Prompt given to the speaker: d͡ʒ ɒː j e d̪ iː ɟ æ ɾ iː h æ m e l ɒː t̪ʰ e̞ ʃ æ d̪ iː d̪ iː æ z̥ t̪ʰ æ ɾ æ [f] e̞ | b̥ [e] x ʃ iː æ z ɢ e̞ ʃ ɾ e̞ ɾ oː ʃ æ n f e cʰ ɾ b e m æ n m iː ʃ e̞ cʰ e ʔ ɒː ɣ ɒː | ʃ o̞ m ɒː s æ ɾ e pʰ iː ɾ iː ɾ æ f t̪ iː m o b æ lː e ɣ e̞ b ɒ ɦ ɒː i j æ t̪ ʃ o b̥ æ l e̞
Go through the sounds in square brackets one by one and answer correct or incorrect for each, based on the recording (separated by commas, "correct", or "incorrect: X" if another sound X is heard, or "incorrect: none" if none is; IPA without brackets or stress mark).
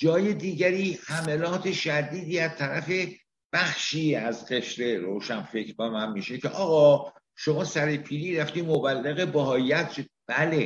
correct, incorrect: æ